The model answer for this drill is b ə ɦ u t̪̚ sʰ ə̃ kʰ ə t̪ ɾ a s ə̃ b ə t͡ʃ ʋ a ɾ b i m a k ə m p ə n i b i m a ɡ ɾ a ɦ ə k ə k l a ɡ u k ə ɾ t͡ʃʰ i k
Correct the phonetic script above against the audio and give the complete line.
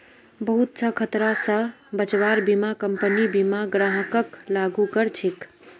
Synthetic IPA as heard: b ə ɦ u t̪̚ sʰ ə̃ kʰ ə t̪ ɾ a s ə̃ b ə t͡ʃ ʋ a ɾ b i m a k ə m p ə n i b i m a ɡ ɾ a ɦ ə k ə k l a ɡ u k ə ɾ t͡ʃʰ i k